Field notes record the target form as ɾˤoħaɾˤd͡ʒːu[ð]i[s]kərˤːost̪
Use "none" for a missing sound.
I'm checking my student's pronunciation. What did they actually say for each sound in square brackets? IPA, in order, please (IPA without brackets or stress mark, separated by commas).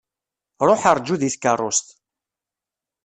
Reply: ð, θ